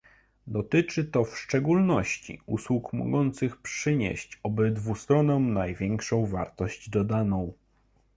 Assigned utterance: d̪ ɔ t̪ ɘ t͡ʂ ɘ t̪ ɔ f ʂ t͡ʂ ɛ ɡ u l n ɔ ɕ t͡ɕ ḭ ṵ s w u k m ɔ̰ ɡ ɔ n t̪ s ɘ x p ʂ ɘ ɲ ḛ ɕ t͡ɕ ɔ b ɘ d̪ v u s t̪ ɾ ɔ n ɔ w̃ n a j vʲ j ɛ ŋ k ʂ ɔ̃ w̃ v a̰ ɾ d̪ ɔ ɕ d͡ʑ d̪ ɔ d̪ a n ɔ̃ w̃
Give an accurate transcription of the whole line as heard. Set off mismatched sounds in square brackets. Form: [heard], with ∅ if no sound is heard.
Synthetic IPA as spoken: d̪ ɔ t̪ ɘ t͡ʂ ɘ t̪ ɔ f ʂ t͡ʂ ɛ ɡ u l n ɔ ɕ t͡ɕ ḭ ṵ s w u k m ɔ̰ ɡ ɔ n t̪ s ɘ x p ʂ ɘ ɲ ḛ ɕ t͡ɕ ɔ b ɘ d̪ v u s t̪ ɾ ɔ n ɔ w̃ n a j vʲ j ɛ ŋ k ʂ ɔ̃ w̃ v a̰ ɾ [t̪] ɔ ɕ d͡ʑ d̪ ɔ d̪ a n ɔ̃ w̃